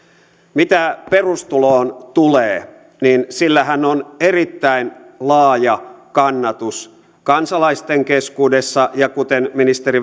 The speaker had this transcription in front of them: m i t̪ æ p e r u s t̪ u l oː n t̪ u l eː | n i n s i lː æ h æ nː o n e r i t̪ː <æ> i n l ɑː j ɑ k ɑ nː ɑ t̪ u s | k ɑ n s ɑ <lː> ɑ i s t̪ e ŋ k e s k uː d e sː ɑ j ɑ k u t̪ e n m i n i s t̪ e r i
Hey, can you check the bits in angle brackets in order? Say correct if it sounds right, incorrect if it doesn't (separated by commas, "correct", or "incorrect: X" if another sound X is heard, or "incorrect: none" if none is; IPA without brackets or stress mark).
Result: correct, incorrect: l